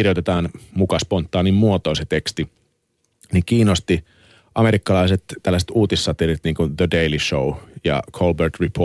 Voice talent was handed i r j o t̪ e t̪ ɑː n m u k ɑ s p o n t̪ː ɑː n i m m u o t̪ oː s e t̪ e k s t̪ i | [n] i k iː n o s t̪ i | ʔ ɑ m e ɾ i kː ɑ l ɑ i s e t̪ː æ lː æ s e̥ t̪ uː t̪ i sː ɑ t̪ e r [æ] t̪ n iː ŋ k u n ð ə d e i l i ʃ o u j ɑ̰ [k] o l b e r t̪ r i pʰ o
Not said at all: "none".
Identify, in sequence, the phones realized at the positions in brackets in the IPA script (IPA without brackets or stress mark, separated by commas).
n, i, kʰ